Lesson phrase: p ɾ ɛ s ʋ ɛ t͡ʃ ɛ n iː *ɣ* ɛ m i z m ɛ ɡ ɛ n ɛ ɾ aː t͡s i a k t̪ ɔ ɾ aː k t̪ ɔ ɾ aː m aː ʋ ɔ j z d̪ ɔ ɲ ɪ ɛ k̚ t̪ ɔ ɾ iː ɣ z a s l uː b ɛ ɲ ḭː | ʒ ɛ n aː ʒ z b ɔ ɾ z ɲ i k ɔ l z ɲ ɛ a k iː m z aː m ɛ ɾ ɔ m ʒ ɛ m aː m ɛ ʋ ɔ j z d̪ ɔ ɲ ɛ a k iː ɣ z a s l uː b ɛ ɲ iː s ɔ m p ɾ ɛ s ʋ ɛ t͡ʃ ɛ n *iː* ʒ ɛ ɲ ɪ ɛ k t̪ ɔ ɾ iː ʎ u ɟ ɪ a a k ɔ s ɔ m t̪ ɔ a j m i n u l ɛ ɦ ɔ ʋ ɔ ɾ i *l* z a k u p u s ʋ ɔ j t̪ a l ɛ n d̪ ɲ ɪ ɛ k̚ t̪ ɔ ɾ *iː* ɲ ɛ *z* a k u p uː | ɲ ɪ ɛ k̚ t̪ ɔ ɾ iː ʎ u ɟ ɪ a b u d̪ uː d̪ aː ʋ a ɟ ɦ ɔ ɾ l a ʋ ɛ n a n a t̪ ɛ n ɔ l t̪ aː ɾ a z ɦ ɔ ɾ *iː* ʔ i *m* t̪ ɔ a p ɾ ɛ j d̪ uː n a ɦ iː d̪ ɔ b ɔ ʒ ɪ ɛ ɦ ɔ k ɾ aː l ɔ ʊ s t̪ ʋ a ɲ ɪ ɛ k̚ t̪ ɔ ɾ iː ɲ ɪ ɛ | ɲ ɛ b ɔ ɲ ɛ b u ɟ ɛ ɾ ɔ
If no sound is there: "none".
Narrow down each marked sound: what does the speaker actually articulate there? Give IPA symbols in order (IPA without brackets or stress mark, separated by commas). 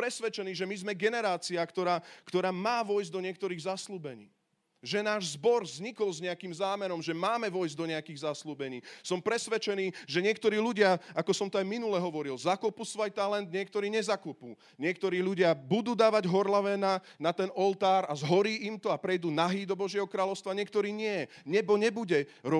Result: ʒ, iː, l, iː, z, iː, m